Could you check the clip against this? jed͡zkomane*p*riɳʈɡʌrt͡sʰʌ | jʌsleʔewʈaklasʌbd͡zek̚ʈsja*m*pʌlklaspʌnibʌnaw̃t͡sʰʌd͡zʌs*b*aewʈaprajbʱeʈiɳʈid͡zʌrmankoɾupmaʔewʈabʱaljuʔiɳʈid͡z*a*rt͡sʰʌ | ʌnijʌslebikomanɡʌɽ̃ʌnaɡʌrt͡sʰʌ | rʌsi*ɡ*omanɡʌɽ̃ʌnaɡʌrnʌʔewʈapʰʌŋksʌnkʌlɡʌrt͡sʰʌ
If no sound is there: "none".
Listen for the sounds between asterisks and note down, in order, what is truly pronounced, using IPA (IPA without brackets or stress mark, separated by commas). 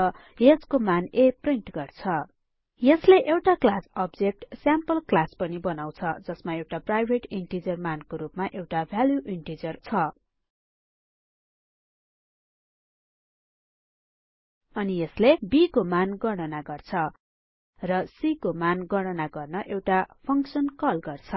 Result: p, m, m, ʌ, k